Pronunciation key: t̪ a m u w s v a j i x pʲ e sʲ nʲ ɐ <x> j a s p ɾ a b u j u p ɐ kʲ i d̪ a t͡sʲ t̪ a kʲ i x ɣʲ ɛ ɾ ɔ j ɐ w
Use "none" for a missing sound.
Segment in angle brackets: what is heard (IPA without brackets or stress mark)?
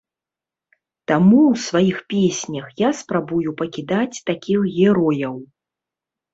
x